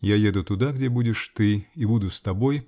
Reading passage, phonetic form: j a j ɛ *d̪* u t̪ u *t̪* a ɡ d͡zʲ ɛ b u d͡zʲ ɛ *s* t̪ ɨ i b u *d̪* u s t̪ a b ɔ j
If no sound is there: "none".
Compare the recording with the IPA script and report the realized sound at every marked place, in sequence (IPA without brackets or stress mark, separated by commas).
d̪, d̪, ʂ, d̪